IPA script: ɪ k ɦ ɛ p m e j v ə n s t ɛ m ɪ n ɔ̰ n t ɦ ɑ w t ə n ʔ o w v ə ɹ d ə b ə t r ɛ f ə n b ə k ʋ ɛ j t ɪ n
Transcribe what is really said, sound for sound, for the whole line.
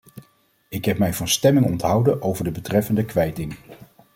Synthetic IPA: ɪ k ɦ ɛ p m ɛ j v ɑ n s t ɛ m ɪ ŋ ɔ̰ n t ɦ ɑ w d ə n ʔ o w v ə ɹ d ə b ə t r ɛ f ə n d ə k ʋ ɛ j t ɪ ŋ